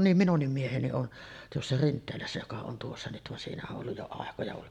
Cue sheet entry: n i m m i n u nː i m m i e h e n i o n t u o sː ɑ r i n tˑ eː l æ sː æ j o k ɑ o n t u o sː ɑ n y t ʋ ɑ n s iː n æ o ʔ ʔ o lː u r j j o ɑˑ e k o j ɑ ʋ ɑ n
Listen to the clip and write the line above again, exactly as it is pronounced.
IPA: n i m m i n u nː i m m i e h e n i o n t u o sː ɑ r i n tˑ eː l æ sː æ j o k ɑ o n t u o sː ɑ n y t ʋ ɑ n s iː n æ o ʔ ʔ o lː u j j o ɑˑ e k o j ɑ ʋ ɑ n